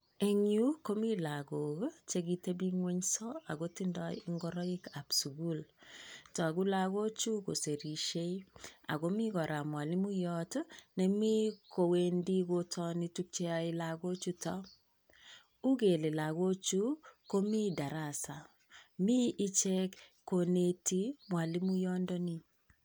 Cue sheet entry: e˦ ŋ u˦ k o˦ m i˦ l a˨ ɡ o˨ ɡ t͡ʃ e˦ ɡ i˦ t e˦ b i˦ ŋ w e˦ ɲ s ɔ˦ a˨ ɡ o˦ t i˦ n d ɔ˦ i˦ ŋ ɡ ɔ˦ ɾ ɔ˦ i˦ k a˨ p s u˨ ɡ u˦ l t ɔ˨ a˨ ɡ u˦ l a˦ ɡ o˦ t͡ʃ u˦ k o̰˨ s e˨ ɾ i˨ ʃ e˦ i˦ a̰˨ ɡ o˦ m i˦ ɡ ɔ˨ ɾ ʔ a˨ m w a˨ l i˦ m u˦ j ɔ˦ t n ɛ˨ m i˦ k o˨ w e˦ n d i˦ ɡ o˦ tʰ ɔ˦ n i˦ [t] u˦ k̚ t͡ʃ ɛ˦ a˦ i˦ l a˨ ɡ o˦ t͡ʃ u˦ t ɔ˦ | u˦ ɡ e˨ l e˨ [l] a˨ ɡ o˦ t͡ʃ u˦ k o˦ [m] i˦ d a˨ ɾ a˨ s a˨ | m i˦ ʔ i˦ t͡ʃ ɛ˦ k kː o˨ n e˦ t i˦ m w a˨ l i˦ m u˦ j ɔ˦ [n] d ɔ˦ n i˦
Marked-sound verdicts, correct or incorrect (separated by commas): correct, correct, correct, correct